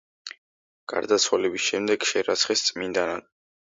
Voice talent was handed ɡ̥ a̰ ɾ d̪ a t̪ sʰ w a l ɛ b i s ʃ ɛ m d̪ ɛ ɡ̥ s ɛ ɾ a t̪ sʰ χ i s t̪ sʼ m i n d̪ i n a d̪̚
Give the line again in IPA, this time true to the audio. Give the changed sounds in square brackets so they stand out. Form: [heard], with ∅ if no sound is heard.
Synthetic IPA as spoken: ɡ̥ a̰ ɾ d̪ a t̪ sʰ w a l ɛ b i s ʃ ɛ m d̪ ɛ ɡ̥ [ʃ] ɛ ɾ a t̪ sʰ χ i s t̪ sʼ m i n d̪ [a] n a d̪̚